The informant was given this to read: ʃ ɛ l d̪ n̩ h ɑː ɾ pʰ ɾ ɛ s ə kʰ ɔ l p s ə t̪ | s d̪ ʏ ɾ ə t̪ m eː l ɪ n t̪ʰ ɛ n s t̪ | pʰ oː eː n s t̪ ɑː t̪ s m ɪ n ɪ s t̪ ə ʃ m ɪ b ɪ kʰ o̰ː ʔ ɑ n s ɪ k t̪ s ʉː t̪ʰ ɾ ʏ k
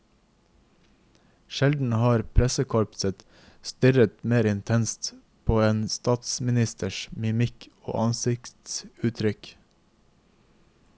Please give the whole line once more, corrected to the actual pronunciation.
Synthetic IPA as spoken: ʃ ɛ l d̪ n̩ h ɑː ɾ pʰ ɾ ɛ s ə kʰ ɔ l p s ə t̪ | s t̪ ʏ ɾ ə t̪ m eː ɾ ɪ n t̪ʰ ɛ n s t̪ | pʰ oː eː n s t̪ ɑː t̪ s m ɪ n ɪ s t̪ ə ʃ m ɪ m ɪ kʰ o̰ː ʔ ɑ n s ɪ k t̪ s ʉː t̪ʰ ɾ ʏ k